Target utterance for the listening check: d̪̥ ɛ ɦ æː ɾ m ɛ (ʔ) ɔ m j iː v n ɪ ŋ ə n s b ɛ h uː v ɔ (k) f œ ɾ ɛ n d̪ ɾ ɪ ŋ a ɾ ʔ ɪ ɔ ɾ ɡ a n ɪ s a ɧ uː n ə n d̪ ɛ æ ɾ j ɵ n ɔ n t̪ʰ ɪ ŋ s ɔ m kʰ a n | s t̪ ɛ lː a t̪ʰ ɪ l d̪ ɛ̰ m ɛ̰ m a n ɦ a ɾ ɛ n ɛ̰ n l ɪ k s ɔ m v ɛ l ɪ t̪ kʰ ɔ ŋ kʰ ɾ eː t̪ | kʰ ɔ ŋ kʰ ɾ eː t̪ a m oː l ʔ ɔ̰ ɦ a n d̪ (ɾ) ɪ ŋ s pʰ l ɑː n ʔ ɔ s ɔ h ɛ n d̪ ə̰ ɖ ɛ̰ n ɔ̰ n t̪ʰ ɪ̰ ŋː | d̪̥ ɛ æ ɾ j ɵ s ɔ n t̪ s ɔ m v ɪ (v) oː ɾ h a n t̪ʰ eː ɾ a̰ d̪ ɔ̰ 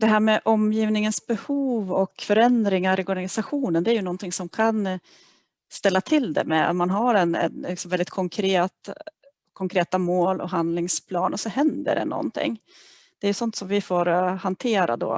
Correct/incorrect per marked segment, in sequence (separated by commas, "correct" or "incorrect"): correct, correct, incorrect, incorrect